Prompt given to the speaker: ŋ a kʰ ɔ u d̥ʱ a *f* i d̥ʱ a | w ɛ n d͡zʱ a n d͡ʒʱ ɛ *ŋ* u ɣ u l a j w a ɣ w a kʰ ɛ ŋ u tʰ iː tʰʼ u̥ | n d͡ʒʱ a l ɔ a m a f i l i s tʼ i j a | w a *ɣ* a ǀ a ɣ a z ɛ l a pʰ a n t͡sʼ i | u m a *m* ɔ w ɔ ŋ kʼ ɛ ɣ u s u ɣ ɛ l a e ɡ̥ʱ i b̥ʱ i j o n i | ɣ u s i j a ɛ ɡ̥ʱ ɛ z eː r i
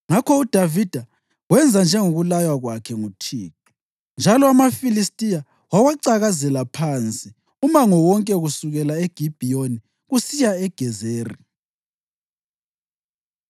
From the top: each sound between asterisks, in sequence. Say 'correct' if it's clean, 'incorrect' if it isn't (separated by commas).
incorrect, correct, incorrect, incorrect